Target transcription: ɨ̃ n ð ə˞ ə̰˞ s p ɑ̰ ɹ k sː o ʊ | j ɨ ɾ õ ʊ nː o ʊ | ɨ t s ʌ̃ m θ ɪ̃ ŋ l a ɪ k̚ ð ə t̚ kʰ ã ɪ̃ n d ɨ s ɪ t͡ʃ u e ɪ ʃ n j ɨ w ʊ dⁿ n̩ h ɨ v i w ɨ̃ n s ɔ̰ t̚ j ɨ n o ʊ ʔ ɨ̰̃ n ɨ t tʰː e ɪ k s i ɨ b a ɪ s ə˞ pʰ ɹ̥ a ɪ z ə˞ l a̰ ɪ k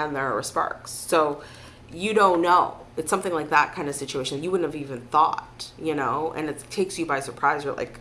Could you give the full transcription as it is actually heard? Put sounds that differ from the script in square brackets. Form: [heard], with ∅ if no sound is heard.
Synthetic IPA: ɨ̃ n ð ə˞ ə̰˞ s p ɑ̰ ɹ k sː o ʊ | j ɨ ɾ õ [ʊ̃] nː o ʊ | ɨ t s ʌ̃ m θ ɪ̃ ŋ l a ɪ k̚ ð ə t̚ kʰ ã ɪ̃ n d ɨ s ɪ t͡ʃ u e ɪ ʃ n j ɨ w ʊ dⁿ n̩ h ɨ v i [v] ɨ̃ n [θ] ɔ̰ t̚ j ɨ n o ʊ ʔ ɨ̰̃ n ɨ t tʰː e ɪ k s [j] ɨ b a ɪ s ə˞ pʰ ɹ̥ a ɪ z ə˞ l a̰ ɪ k